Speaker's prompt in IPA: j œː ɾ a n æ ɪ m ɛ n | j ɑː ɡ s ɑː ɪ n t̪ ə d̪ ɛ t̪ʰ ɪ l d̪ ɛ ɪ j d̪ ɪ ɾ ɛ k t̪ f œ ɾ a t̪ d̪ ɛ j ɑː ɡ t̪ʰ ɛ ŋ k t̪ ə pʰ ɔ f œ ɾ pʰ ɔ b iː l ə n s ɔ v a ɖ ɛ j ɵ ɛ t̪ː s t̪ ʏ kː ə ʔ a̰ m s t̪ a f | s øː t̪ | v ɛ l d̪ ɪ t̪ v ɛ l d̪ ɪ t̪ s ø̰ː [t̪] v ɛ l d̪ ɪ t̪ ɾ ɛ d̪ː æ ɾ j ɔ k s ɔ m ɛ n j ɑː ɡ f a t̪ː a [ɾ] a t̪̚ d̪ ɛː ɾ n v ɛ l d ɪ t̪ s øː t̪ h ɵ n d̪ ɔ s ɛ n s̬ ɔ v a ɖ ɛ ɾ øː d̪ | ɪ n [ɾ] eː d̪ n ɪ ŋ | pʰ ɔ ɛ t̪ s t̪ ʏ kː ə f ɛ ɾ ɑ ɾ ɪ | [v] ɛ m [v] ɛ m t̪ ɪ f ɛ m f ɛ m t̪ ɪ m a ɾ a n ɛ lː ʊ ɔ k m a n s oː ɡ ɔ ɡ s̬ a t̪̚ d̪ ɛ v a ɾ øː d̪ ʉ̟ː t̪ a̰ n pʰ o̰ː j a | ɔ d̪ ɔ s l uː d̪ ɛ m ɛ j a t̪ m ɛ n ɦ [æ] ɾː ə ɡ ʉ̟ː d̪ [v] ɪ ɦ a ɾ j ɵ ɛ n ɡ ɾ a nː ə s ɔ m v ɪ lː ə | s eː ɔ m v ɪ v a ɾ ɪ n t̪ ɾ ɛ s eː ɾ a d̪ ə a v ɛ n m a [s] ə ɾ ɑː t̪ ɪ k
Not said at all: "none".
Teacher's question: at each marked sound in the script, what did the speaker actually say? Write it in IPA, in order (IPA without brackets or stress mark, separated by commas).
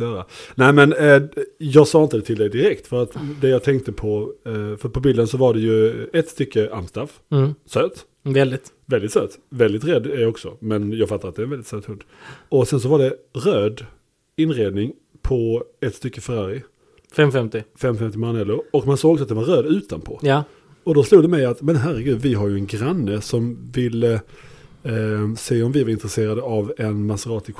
t̪, ɾ, ɾ, f, f, æ, v, s